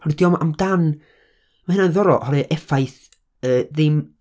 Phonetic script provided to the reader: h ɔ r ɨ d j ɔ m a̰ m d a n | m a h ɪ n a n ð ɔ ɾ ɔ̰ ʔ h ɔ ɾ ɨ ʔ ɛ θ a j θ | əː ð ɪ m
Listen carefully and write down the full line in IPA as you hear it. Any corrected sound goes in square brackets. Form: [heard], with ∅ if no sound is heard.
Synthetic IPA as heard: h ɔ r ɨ d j ɔ m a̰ m d a n | m a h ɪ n a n ð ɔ ɾ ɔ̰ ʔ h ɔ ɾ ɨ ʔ ɛ [f] a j θ | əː ð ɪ m